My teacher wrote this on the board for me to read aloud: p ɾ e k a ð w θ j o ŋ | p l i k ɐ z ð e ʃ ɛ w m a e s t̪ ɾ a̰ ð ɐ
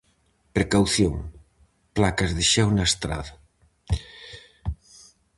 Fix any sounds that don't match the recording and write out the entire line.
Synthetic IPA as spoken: p ɾ e k a w θ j o ŋ | p l a k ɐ z ð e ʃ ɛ w n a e s t̪ ɾ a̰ ð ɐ